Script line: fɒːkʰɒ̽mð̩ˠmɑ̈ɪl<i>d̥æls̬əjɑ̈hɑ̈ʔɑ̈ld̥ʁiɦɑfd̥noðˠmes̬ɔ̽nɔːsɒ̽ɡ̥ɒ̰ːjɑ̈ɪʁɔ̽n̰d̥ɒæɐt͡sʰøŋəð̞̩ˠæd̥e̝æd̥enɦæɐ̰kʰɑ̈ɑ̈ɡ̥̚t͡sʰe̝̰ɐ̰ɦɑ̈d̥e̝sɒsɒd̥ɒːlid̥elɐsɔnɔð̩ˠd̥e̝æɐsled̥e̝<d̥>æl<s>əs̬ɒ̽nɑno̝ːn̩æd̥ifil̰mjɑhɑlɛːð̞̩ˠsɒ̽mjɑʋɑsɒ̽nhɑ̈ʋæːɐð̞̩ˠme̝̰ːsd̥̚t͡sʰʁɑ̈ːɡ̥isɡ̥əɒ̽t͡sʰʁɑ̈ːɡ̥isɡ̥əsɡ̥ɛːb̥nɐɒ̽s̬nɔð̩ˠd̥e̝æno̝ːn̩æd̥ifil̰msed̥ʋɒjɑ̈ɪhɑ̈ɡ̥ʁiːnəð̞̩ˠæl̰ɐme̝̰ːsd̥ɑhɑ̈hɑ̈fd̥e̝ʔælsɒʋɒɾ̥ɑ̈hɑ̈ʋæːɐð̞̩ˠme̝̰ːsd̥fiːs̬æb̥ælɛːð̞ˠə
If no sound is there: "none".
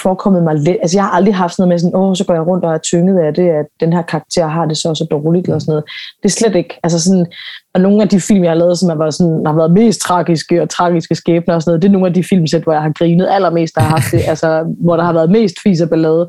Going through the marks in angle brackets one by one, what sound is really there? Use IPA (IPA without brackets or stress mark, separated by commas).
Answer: e, ɡ̥, s